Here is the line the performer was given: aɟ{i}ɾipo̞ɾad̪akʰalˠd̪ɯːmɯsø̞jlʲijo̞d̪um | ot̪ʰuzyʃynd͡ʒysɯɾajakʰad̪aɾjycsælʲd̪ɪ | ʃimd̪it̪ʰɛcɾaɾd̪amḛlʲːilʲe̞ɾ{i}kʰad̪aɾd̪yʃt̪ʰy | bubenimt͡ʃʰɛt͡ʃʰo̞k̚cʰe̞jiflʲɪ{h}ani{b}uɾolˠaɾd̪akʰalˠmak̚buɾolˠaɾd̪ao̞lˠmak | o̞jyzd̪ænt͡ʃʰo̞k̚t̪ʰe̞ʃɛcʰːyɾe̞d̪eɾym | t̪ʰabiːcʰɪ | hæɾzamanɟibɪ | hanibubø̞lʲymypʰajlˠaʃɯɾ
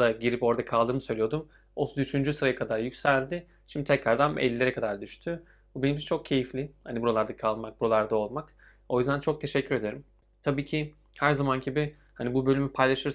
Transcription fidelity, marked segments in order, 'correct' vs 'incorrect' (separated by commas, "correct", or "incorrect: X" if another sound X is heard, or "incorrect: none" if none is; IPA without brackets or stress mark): correct, incorrect: ɛ, correct, correct